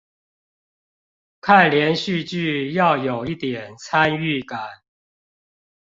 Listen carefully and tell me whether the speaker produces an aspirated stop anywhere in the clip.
yes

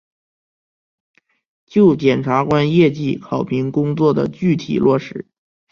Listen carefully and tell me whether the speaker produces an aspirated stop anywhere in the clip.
yes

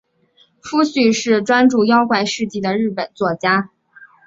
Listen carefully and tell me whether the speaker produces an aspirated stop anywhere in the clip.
no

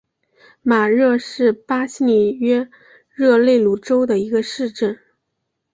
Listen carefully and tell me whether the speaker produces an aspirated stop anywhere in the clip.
no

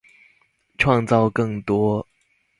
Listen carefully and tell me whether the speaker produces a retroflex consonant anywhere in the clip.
yes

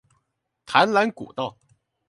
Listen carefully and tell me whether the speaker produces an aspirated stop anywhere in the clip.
yes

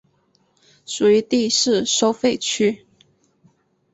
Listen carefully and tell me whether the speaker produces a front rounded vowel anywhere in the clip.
yes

